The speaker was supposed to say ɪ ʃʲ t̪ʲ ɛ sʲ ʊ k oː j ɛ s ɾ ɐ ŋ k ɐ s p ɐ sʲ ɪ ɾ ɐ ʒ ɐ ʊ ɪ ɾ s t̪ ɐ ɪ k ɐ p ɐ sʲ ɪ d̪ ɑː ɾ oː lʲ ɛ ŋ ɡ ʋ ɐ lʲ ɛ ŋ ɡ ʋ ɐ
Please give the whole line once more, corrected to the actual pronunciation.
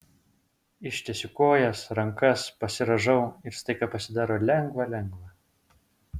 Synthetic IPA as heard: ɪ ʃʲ t̪ʲ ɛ sʲ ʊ k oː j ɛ s ɾ ɐ ŋ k ɐ s p ɐ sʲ ɪ ɾ ɐ ʒ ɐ ʊ ɪ ɾ s t̪ ɐ ɪ k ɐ p ɐ sʲ ɪ d̪ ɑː ɾ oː lʲ ɛ ŋ ɡ ʋ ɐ lʲ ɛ ŋ ɡ ʋ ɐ

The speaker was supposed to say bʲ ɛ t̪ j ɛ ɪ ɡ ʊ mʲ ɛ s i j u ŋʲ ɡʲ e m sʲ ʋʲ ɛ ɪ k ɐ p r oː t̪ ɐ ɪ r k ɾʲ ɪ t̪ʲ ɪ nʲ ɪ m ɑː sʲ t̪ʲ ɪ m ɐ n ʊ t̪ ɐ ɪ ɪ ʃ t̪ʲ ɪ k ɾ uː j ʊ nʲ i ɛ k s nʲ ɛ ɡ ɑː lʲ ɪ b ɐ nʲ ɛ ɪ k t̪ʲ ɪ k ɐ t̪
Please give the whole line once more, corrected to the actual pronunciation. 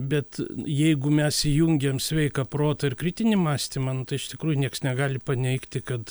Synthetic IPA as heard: bʲ ɛ t̪ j ɛ ɪ ɡ ʊ mʲ ɛ s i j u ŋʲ ɡʲ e m sʲ ʋʲ ɛ ɪ k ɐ p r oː t̪ ɐ ɪ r k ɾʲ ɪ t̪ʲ ɪ nʲ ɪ m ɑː sʲ t̪ʲ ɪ m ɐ n ʊ t̪ ɐ ɪ ɪ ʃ t̪ʲ ɪ k ɾ uː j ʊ nʲ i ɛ k s nʲ ɛ ɡ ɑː lʲ ɪ p ɐ nʲ ɛ ɪ k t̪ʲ ɪ k ɐ t̪

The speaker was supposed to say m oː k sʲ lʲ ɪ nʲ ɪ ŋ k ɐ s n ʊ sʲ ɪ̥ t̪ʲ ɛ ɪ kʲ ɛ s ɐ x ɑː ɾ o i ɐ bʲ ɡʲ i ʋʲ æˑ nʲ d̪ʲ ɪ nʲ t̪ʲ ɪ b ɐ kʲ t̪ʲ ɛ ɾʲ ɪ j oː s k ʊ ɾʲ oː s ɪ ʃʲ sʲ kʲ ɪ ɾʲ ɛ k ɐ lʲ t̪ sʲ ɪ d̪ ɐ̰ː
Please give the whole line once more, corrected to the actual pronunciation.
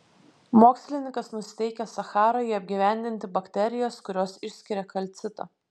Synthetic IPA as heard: m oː k sʲ lʲ ɪ nʲ ɪ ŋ k ɐ s n ʊ sʲ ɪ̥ t̪ʲ ɛ ɪ kʲ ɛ s ɐ x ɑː ɾ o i ɐ bʲ ɡʲ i ʋʲ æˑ nʲ d̪ʲ ɪ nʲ t̪ʲ ɪ b ɐ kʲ t̪ʲ ɛ ɾʲ ɪ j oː s k ʊ ɾʲ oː s ɪ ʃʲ sʲ kʲ ɪ ɾʲ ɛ k ɐ lʲ t̪ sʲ ɪ t̪ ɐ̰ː

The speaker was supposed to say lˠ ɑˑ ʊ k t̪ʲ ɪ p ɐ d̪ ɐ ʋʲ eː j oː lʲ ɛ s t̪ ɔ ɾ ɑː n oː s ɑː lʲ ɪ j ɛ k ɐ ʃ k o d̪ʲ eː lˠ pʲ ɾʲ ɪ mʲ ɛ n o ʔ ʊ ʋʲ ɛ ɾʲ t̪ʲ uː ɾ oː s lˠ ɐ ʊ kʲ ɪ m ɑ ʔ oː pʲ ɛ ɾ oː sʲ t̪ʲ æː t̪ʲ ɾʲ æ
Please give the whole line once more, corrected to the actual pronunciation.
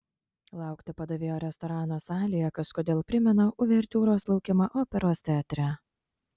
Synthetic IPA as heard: lˠ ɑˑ ʊ k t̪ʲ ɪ p ɐ d̪ ɐ ʋʲ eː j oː ɾʲ ɛ s t̪ ɔ ɾ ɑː n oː s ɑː lʲ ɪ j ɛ k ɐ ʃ k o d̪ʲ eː lˠ pʲ ɾʲ ɪ mʲ ɛ n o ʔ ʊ ʋʲ ɛ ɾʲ t̪ʲ uː ɾ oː s lˠ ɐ ʊ kʲ ɪ m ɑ ʔ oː pʲ ɛ ɾ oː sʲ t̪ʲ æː t̪ʲ ɾʲ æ

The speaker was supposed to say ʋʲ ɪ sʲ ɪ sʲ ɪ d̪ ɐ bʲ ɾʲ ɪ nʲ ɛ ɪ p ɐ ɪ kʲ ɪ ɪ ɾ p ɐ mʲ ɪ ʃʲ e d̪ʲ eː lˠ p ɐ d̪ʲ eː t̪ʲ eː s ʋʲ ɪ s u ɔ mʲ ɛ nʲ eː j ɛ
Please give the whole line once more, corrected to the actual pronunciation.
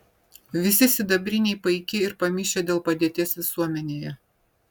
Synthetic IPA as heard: ʋʲ ɪ sʲ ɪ sʲ ɪ d̪ ɐ bʲ ɾʲ ɪ nʲ ɛ ɪ p ɐ ɪ kʲ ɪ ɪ ɾ p ɐ mʲ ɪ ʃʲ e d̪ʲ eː lˠ p ɐ d̪ʲ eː t̪ʲ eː s ʋʲ ɪ s u ɔ mʲ ɛ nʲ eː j ɛ

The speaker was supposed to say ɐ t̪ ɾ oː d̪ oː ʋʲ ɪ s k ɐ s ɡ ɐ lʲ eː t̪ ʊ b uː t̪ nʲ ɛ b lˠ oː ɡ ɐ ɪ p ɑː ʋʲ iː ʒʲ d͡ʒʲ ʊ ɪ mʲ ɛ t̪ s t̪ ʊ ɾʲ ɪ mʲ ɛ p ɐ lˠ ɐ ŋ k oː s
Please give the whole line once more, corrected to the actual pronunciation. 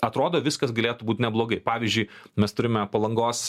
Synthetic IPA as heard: ɐ t̪ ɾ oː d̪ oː ʋʲ ɪ s k ɐ s ɡ ɐ lʲ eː t̪ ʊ b uː t̪ nʲ ɛ b lˠ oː ɡ ɐ ɪ p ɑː ʋʲ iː zʲ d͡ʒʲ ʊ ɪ mʲ ɛ s t̪ ʊ ɾʲ ɪ mʲ ɛ p ɐ lˠ ɐ ŋ ɡ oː s

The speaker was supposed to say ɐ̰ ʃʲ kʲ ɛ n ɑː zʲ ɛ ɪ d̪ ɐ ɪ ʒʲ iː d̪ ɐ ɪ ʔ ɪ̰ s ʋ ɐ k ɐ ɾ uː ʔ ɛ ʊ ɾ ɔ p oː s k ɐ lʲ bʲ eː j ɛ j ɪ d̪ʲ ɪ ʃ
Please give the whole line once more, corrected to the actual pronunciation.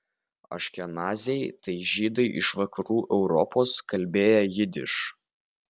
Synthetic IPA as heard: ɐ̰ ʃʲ kʲ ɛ n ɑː zʲ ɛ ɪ t̪ ɐ ɪ ʒʲ iː d̪ ɐ ɪ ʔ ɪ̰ ʃ ʋ ɐ k ɐ ɾ uː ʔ ɛ ʊ ɾ ɔ p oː s k ɐ lʲ bʲ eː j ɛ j ɪ d̪ʲ ɪ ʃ

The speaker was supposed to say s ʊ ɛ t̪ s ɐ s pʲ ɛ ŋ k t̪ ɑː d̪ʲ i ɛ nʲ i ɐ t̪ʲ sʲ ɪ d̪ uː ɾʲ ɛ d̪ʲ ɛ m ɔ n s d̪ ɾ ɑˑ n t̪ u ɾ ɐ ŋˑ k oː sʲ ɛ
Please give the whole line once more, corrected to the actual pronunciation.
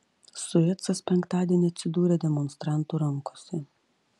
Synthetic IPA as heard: s ʊ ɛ t̪ s ɐ s pʲ ɛ ŋ k t̪ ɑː d̪ʲ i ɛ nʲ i ɐ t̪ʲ sʲ ɪ d̪ uː ɾʲ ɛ d̪ʲ ɛ m ɔ n s t̪ ɾ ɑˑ n t̪ u ɾ ɐ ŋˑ k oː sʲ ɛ

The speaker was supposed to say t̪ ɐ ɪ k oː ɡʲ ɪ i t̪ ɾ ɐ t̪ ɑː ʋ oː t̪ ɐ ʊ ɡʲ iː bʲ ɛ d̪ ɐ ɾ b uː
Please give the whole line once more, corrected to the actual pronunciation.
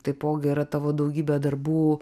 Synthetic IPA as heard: t̪ ɐ ɪ p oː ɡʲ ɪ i ɾ ɐ t̪ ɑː ʋ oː d̪ ɐ ʊ ɡʲ iː bʲ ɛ d̪ ɐ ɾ b uː

